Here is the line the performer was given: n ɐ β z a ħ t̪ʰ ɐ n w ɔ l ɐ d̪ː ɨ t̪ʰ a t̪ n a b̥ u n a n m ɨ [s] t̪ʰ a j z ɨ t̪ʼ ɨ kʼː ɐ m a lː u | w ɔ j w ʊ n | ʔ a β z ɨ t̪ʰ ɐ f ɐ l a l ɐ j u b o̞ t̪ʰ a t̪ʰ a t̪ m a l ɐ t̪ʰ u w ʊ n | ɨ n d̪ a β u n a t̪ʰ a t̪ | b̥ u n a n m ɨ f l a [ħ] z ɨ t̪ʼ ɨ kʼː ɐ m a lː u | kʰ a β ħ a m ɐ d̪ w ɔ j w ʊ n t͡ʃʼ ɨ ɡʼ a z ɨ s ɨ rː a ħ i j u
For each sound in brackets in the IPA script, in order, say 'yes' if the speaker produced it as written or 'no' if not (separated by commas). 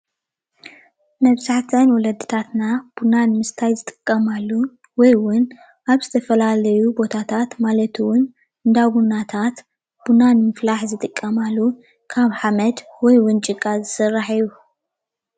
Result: yes, yes